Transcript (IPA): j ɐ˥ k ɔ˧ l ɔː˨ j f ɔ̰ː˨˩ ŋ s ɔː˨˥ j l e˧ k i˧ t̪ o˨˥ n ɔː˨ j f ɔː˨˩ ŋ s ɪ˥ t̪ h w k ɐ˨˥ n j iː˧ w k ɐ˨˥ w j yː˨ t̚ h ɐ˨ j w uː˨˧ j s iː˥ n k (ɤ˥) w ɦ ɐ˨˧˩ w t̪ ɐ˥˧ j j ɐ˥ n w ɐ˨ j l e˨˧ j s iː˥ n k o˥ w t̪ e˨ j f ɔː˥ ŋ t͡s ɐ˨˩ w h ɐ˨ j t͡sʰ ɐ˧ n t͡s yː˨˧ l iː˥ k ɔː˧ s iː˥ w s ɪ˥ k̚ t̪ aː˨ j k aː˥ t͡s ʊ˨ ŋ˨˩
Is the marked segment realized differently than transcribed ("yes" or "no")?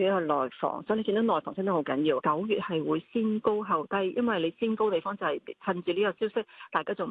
yes